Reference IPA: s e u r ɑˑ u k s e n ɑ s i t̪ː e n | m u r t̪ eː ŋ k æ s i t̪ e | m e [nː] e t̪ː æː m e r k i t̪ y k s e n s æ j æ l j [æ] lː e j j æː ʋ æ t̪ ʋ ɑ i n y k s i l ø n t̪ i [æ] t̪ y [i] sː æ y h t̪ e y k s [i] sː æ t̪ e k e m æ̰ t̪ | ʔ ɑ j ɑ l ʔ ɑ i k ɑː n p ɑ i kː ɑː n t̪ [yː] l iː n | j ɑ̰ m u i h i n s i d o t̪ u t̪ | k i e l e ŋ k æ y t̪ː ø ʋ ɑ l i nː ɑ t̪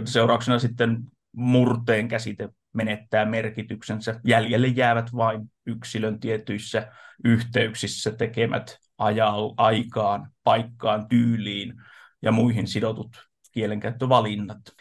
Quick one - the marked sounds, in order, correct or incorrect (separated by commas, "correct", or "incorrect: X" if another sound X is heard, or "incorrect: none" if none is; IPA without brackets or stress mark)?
incorrect: n, incorrect: e, incorrect: e, correct, correct, correct